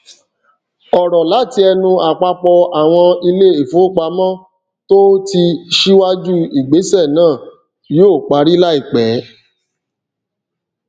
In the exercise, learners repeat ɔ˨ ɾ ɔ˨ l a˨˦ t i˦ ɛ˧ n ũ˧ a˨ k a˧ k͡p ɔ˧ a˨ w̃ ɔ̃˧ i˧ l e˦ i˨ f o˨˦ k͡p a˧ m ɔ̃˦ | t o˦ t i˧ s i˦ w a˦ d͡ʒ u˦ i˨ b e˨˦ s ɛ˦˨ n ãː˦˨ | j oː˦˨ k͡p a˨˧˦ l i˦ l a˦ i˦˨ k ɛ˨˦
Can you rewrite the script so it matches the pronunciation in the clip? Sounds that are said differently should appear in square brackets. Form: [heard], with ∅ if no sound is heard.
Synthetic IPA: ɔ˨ ɾ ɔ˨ l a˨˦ t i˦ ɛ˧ n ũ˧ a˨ [k͡p] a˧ k͡p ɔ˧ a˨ w̃ ɔ̃˧ i˧ l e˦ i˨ f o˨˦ k͡p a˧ m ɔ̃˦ | t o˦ t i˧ [ʃ] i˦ w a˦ d͡ʒ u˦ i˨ [ɡ͡b] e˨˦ s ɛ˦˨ n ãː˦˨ | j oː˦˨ k͡p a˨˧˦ [ɾ] i˦ l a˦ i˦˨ [k͡p] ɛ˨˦